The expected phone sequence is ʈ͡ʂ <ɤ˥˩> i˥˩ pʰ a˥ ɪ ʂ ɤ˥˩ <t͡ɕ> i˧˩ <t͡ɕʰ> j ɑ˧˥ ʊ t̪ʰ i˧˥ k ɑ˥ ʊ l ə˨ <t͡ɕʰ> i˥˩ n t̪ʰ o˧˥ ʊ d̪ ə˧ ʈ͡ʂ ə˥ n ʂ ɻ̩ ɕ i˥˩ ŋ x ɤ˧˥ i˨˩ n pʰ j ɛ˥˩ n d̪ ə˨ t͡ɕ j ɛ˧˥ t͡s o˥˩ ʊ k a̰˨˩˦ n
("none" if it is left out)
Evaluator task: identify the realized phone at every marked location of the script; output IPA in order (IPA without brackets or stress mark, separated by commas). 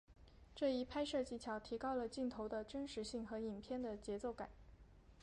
ɤ˥˩, t͡ɕ, t͡ɕʰ, t͡ɕ